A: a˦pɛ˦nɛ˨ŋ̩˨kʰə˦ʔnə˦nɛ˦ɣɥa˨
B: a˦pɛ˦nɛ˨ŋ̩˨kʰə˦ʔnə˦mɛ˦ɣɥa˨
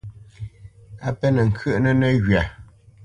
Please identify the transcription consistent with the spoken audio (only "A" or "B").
A